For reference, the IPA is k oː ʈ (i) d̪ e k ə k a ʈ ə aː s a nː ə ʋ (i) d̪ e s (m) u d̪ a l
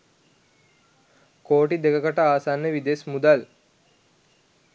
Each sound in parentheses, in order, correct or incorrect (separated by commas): correct, correct, correct